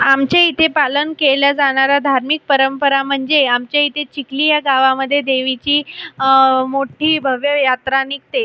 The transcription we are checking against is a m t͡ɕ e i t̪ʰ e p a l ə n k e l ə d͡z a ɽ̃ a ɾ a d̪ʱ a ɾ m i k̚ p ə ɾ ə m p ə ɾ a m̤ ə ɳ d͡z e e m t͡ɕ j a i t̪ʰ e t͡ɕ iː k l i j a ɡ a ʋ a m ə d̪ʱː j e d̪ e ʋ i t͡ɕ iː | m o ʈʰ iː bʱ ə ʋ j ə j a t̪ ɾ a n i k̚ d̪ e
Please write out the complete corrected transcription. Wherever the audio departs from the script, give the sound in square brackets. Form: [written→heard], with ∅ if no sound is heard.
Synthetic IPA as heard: a m t͡ɕ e i t̪ʰ e p a l ə n k e l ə d͡z a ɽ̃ a ɾ a d̪ʱ a ɾ m i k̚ p ə ɾ ə m p ə ɾ a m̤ ə ɳ d͡z e [e→a] m t͡ɕ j a i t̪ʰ e t͡ɕ [iː→i] k l i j a ɡ a ʋ a m ə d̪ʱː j e d̪ e ʋ i t͡ɕ iː | m o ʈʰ iː bʱ ə ʋ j ə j a t̪ ɾ a n i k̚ [d̪→t̪] e